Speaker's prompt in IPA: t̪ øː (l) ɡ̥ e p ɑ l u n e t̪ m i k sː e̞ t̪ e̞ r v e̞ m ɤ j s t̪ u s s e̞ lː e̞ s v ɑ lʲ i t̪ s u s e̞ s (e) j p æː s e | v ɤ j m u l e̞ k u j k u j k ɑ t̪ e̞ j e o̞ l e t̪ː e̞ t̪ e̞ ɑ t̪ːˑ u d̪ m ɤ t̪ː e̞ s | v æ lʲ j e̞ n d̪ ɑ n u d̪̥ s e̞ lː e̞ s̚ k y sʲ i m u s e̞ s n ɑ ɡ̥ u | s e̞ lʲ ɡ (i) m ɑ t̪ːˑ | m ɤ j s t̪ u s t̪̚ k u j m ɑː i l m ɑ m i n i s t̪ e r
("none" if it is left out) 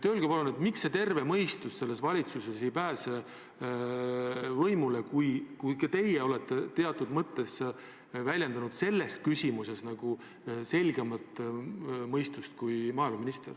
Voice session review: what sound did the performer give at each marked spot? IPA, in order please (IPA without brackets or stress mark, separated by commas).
l, e, e